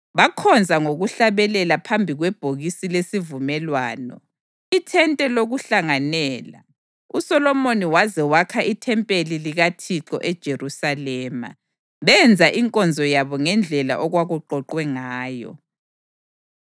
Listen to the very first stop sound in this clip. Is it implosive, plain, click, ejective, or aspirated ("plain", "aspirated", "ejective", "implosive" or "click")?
aspirated